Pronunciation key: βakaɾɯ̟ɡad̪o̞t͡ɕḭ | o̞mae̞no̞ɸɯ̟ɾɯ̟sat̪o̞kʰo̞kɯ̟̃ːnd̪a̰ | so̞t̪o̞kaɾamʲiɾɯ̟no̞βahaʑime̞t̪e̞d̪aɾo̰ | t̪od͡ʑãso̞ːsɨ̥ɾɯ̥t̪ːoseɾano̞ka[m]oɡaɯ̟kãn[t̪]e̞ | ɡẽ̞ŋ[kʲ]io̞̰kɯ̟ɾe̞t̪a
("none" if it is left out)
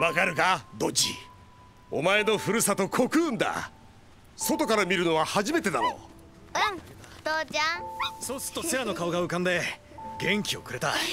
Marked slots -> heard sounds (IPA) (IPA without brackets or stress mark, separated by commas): none, d̪, kʲ